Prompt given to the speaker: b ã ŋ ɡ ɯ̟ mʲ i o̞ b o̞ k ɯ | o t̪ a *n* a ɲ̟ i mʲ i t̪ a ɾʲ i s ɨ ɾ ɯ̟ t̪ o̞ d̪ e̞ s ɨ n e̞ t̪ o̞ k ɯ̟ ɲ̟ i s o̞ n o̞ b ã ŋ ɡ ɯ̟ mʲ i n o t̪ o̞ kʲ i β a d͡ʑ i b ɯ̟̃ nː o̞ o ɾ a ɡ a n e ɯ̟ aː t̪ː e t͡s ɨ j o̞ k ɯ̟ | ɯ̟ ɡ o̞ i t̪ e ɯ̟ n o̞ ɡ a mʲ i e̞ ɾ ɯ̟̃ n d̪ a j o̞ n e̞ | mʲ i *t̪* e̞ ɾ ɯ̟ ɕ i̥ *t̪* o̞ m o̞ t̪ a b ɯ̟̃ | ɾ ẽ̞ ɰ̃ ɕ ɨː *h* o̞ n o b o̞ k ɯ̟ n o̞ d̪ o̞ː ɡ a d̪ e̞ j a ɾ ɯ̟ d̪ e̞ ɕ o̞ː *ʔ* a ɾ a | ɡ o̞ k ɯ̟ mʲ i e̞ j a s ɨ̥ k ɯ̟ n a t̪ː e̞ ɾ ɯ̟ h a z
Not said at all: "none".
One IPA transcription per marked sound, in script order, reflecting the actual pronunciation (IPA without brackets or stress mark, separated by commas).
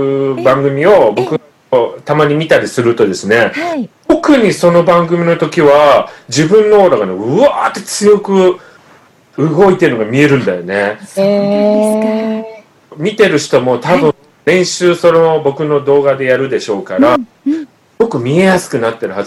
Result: m, t̪, t̪, s, k